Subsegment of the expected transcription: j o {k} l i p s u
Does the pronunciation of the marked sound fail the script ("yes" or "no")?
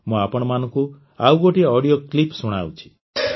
no